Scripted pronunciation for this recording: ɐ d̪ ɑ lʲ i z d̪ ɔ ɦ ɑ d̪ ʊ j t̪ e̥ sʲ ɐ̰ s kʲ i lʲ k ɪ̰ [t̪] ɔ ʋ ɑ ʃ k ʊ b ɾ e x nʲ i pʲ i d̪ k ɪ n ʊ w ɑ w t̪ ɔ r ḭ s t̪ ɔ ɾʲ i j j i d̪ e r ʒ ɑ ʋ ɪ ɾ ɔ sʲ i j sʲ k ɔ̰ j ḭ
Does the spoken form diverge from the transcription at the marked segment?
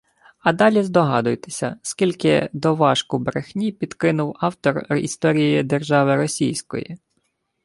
yes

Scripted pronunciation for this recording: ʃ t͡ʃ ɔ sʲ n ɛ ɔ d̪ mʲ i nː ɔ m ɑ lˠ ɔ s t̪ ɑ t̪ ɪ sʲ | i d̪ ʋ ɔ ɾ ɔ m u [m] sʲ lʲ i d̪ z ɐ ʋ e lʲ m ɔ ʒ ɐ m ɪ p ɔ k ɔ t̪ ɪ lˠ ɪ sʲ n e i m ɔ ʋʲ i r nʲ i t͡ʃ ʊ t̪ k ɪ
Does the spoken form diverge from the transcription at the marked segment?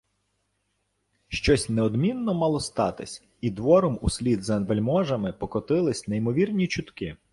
yes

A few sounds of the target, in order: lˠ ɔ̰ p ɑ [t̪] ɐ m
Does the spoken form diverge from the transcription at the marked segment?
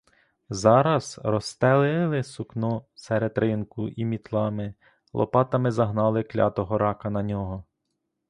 no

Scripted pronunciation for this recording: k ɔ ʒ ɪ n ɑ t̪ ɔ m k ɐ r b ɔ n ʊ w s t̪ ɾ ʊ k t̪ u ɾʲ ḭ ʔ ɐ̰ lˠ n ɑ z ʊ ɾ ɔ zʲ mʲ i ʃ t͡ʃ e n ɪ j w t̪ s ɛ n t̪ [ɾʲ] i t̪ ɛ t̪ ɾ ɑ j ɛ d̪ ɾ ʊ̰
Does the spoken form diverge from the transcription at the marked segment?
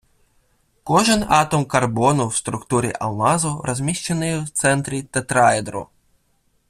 no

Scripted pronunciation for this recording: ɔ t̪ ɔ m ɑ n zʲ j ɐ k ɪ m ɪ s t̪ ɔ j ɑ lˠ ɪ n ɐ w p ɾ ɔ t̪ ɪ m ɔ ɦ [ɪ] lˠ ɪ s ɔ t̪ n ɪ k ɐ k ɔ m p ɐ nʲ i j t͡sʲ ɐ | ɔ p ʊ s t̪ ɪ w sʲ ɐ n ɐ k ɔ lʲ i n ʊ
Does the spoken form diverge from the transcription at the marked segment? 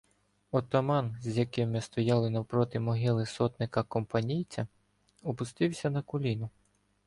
no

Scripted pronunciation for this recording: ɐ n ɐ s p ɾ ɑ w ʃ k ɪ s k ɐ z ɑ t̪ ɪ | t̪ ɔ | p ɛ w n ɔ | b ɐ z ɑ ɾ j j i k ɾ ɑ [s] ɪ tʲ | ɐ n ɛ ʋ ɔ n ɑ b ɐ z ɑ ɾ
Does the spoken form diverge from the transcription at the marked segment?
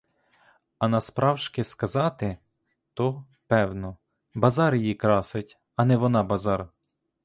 no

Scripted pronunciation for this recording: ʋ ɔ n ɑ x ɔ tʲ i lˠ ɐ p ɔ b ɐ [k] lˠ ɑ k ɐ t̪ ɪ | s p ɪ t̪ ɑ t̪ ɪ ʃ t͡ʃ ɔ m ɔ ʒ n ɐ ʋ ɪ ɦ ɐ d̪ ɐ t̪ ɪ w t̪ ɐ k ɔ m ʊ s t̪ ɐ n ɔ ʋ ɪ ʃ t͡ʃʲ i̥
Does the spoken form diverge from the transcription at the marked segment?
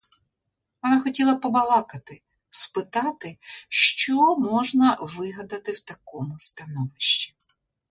yes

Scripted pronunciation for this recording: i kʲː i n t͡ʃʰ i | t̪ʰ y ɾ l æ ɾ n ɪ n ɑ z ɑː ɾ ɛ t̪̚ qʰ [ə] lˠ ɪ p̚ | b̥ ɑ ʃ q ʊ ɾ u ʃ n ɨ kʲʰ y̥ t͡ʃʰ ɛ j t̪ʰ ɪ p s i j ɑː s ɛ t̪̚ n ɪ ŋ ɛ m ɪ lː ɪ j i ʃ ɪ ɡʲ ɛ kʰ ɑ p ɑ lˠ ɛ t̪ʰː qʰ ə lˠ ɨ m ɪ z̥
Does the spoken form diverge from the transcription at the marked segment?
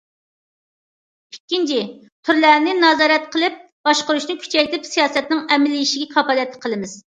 no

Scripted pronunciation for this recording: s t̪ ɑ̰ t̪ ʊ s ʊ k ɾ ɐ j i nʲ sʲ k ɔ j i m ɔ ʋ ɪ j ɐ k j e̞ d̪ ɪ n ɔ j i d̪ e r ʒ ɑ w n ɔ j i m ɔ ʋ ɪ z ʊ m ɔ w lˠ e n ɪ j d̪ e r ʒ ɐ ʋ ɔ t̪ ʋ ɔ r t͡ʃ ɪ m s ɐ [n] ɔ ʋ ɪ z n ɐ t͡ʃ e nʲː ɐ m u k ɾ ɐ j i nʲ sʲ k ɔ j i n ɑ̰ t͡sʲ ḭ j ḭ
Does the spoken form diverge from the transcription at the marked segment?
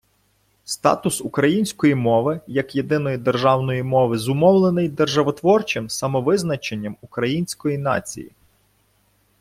yes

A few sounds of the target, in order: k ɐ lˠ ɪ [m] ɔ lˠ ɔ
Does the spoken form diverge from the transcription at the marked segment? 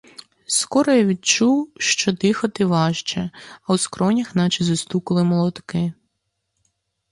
no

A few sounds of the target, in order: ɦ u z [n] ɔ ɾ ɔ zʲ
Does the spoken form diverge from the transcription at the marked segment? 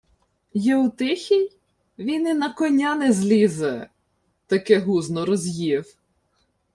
no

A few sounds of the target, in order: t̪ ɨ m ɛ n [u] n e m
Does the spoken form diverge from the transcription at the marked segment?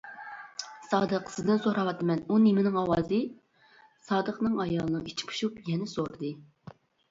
no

